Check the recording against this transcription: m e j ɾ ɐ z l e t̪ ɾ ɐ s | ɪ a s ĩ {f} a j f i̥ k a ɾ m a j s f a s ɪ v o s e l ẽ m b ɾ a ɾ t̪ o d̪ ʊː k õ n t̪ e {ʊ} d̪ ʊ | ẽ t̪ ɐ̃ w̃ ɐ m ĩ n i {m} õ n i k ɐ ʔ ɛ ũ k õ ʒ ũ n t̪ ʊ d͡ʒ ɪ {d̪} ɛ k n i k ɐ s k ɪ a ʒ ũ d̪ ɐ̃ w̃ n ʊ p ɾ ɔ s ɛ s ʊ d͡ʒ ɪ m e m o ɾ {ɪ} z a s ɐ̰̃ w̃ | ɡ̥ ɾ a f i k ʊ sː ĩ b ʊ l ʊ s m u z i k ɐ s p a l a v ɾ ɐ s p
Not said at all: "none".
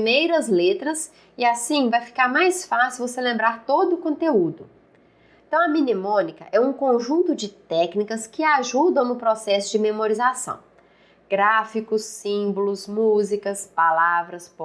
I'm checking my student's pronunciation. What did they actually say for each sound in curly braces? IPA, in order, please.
v, u, m, t̪, i

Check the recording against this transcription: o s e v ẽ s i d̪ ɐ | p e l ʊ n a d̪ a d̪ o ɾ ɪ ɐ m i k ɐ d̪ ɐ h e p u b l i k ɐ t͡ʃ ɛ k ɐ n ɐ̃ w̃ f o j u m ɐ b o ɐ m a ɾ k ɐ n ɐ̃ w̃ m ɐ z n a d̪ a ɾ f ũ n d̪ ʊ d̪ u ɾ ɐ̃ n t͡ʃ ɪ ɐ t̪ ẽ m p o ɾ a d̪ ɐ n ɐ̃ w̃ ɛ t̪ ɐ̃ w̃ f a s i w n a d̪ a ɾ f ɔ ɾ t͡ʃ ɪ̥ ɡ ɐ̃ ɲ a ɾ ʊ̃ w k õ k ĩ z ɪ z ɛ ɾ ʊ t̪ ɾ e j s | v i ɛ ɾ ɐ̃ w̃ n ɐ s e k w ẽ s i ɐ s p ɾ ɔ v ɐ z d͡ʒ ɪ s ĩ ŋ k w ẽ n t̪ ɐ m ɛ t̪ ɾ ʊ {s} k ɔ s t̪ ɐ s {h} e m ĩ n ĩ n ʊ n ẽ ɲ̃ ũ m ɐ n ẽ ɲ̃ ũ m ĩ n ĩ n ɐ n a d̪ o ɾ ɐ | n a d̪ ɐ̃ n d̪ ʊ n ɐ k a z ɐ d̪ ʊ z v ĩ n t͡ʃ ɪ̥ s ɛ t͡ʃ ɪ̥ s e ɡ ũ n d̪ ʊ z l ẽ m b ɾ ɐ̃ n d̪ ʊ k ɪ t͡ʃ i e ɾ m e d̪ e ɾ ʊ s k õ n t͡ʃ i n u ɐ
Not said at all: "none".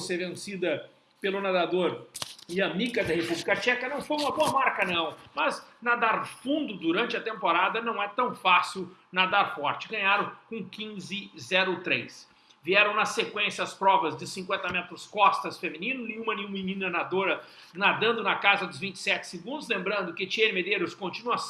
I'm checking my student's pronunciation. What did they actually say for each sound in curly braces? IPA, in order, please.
s, f

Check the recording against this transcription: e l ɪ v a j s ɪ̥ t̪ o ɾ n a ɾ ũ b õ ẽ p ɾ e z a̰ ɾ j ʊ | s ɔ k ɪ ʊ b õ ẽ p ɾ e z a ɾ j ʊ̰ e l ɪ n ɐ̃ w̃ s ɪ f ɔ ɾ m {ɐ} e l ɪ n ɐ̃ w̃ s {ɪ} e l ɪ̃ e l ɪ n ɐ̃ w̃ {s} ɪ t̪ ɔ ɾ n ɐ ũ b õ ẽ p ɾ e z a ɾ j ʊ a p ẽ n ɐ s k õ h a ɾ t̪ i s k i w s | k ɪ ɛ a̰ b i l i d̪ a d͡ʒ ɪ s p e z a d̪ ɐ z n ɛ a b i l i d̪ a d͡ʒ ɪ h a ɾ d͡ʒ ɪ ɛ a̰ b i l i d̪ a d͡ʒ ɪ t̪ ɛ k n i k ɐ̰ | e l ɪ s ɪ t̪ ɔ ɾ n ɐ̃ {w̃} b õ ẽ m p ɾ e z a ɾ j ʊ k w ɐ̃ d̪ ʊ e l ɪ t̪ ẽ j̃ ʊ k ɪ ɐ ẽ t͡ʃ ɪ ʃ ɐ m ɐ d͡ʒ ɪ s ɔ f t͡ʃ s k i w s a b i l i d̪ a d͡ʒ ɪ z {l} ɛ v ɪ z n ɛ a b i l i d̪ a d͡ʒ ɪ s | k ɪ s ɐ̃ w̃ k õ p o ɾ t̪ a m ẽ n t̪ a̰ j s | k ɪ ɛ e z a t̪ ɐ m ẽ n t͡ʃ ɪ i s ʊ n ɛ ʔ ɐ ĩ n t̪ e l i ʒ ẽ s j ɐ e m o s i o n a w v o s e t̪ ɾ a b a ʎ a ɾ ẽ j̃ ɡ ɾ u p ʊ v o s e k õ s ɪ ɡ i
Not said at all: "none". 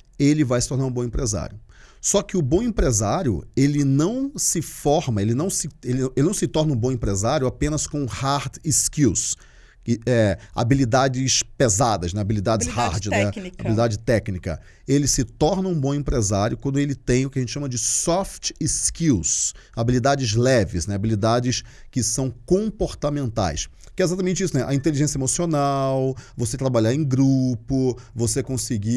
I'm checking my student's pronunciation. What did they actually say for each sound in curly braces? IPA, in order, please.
ɐ, ɪ, s, ũ, l

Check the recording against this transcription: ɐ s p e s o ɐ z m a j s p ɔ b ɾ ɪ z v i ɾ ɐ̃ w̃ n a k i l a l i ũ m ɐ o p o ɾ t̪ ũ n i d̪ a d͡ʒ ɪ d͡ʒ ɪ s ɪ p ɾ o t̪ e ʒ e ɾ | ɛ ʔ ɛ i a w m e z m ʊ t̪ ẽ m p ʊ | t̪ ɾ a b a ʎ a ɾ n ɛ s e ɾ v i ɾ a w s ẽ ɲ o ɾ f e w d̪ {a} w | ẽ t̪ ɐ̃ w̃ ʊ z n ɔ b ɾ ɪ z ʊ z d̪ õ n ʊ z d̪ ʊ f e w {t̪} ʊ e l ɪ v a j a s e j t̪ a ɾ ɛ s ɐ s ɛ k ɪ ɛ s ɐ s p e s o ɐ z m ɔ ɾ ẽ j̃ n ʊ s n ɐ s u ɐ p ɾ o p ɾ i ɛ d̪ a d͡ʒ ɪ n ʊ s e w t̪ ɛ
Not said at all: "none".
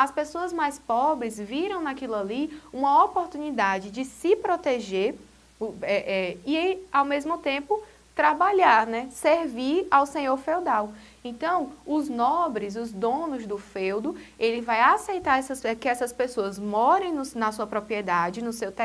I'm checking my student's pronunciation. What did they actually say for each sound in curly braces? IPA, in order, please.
a, d̪

